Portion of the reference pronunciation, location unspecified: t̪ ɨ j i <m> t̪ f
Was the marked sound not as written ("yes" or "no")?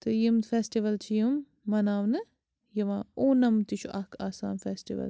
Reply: no